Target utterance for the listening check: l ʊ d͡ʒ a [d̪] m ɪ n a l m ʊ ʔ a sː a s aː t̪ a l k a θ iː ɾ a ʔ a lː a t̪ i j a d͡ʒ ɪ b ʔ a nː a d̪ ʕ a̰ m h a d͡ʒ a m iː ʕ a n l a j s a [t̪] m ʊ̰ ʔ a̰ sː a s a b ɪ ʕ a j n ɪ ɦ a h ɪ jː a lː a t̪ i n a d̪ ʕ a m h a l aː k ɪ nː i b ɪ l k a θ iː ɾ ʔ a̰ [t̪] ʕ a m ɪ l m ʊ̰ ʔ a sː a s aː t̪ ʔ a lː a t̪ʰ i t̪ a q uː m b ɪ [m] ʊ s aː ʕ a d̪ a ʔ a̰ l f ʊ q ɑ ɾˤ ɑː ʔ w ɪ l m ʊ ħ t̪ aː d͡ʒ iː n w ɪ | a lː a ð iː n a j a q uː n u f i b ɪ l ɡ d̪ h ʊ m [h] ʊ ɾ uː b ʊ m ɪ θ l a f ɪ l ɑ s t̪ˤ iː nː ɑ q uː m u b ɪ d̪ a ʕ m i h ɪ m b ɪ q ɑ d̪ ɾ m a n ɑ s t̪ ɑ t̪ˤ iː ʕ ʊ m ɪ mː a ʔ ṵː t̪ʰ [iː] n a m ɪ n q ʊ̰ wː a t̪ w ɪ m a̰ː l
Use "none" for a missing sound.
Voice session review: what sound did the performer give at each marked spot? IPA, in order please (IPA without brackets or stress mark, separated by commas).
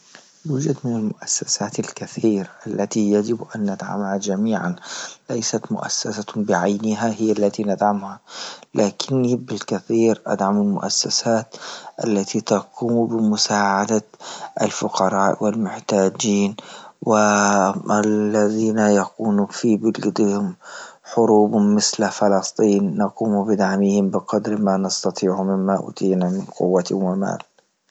d̪, t̪, d̪, m, ħ, iː